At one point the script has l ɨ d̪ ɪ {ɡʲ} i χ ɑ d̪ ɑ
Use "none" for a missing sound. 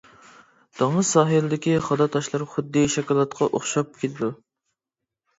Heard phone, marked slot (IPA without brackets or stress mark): kʲ